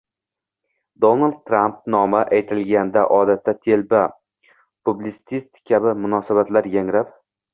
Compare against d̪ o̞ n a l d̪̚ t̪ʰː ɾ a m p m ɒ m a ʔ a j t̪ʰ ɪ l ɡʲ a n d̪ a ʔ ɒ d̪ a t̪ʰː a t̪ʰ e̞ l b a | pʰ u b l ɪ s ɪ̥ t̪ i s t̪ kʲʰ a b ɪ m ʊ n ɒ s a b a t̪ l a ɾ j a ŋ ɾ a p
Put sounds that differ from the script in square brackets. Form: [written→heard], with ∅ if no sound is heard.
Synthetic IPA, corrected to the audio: d̪ o̞ n a l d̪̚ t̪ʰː ɾ a m p [m→n] ɒ m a ʔ a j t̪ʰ ɪ l ɡʲ a n d̪ a ʔ ɒ d̪ a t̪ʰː a t̪ʰ e̞ l b a | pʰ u b l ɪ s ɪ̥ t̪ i s t̪ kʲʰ a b ɪ m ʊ n ɒ s a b a t̪ l a ɾ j a ŋ ɾ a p